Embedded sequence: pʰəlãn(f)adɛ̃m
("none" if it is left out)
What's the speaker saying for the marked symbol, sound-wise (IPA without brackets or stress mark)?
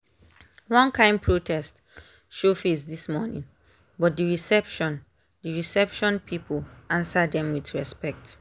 s